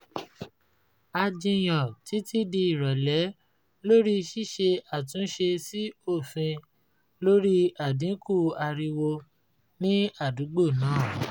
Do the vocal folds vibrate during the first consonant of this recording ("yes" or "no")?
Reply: yes